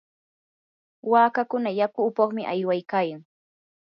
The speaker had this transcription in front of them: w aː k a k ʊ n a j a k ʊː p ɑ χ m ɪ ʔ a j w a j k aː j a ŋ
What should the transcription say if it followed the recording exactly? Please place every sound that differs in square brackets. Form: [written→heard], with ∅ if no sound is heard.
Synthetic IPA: w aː k a k ʊ n a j a k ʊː p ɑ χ m ɪ ʔ a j w a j k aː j a ŋ

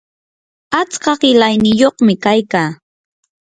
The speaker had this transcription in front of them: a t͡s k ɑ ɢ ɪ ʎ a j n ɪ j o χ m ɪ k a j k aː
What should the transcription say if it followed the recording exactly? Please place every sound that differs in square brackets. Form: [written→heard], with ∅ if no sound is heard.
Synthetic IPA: a t͡s k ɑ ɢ ɪ [ʎ→l] a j n ɪ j o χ m ɪ k a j k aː

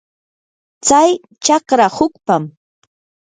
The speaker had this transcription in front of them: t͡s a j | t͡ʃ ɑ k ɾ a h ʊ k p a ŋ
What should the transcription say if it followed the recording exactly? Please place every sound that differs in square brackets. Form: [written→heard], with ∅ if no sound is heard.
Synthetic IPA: t͡s a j | t͡ʃ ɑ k ɾ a h ʊ k p a [ŋ→m]

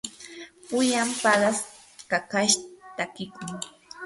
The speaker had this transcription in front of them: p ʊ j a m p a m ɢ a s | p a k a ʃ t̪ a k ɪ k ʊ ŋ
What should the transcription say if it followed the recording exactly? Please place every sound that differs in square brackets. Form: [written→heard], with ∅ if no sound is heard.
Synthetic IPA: p ʊ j a m p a [m→∅] ɢ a s | [p→k] a k a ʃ t̪ a k ɪ k ʊ ŋ

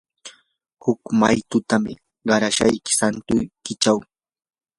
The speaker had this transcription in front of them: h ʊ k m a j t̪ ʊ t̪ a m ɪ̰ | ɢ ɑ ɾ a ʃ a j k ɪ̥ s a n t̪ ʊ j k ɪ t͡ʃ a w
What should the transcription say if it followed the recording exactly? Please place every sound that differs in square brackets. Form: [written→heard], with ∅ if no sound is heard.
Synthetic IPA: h ʊ k m a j t̪ ʊ t̪ a m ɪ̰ | ɢ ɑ ɾ a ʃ a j k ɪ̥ s a n t̪ ʊ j k ɪ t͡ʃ a w

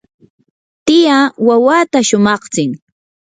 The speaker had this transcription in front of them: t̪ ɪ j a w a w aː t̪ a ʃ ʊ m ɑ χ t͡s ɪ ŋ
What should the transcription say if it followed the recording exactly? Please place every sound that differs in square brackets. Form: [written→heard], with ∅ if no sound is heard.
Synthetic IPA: t̪ ɪ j a w a w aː t̪ a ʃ ʊ m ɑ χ t͡s ɪ ŋ

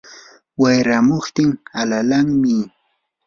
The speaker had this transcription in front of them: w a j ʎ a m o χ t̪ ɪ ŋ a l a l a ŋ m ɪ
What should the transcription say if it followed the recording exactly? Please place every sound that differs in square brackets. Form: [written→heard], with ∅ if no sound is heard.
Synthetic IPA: w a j [ʎ→ɾ] a m o χ t̪ ɪ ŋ a l a l a ŋ m ɪ

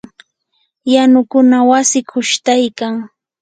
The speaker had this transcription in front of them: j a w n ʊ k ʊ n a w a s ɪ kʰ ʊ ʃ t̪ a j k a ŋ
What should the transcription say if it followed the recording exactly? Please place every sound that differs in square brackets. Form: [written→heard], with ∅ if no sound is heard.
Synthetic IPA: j a [w→∅] n ʊ k ʊ n a w a s ɪ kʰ ʊ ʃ t̪ a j k a ŋ

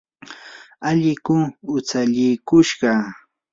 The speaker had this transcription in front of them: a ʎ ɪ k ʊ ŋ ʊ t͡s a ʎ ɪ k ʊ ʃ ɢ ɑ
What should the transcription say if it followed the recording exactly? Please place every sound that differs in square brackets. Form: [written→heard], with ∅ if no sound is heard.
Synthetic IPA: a ʎ ɪ k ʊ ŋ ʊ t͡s a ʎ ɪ k ʊ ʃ ɢ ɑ

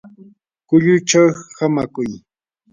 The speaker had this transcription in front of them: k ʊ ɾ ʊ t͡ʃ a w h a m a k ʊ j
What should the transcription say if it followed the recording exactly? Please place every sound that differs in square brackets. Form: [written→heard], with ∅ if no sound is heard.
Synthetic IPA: k ʊ [ɾ→ʎ] ʊ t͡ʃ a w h a m a k ʊ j

